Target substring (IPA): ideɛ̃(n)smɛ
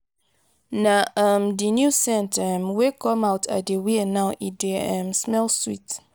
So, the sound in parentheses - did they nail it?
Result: no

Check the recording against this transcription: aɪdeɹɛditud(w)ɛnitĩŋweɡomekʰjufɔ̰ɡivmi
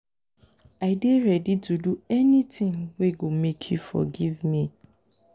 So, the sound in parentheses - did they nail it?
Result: no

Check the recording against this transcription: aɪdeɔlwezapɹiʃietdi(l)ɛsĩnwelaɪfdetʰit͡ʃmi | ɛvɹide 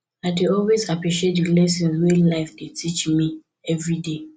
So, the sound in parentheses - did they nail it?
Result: yes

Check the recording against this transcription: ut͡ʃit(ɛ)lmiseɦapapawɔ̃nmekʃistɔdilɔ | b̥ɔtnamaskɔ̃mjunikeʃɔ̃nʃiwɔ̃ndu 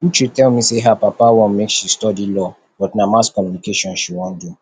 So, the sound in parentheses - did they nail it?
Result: yes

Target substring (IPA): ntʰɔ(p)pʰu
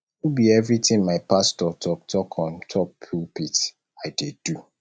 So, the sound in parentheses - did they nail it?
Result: yes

